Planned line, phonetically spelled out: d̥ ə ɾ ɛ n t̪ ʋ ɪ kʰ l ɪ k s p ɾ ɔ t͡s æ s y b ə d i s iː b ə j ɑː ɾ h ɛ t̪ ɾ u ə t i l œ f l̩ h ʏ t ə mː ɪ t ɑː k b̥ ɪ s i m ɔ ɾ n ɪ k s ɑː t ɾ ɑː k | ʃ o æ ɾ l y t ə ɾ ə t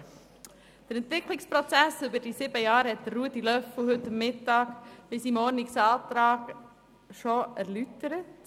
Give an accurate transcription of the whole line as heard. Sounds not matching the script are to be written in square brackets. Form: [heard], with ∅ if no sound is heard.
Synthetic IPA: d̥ ə ɾ ɛ n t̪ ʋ ɪ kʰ l ɪ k s p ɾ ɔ t͡s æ s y b ə d i s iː b ə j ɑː ɾ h ɛ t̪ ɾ u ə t i l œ f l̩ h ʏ t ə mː ɪ t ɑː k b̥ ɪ s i m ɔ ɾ n ɪ k s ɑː t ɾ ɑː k | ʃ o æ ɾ l y t ə ɾ ə t